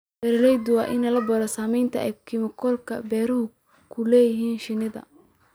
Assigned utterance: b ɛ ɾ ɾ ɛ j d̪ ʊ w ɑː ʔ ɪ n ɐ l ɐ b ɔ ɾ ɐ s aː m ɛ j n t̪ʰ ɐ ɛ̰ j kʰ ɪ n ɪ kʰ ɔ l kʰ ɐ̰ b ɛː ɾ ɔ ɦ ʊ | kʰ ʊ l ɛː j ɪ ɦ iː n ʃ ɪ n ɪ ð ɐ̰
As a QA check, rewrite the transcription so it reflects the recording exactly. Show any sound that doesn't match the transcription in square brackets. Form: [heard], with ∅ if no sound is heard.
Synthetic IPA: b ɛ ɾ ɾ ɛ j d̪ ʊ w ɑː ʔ ɪ n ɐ l ɐ b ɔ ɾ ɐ s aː m ɛ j n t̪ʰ ɐ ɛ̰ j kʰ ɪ [m] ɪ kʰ ɔ l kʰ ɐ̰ b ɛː ɾ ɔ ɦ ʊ | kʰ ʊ l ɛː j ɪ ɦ iː n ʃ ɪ n ɪ ð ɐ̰